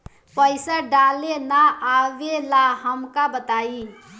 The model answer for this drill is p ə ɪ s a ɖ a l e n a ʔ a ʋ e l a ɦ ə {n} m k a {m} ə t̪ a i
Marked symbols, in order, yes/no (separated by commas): no, no